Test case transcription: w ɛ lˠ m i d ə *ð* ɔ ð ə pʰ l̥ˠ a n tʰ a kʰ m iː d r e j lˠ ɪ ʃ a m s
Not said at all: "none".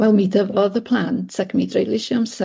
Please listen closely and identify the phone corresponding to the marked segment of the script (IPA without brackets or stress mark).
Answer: v